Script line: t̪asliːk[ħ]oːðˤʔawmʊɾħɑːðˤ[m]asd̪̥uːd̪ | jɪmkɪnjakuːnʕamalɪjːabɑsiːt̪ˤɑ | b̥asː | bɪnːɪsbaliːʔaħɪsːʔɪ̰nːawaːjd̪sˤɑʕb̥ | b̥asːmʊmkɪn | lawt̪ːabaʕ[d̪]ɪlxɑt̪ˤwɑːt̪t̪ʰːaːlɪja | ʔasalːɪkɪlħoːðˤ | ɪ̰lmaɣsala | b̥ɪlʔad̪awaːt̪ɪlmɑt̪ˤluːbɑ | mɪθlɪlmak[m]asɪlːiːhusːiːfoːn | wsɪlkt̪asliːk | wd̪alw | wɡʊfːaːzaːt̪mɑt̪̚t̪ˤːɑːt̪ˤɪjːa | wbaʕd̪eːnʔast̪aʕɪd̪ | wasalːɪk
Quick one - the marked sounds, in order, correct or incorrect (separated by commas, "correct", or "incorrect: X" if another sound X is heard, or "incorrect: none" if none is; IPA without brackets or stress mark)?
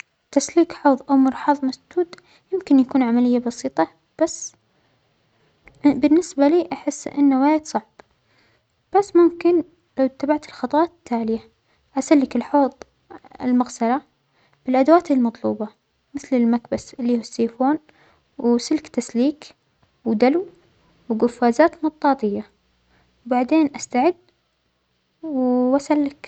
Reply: correct, correct, incorrect: t̪, incorrect: b